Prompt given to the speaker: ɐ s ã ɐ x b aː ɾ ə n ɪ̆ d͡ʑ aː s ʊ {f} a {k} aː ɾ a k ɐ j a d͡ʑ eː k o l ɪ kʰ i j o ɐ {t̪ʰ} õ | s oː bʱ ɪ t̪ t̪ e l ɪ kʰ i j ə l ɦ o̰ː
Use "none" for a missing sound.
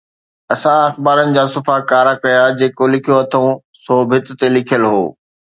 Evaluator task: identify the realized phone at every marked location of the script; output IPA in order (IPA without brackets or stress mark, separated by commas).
f, k, t̪ʰ